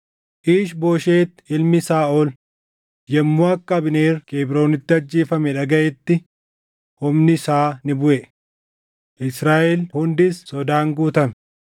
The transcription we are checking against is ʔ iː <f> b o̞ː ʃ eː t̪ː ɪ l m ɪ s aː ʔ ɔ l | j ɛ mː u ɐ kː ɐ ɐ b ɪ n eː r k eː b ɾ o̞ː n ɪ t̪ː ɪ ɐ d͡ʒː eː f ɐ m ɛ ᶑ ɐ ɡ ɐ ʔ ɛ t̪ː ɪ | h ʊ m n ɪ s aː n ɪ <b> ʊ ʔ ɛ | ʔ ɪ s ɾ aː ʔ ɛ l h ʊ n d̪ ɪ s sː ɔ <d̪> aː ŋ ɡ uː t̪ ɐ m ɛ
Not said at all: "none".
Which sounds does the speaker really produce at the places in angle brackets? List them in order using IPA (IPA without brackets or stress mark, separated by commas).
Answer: ʃ, b, d̪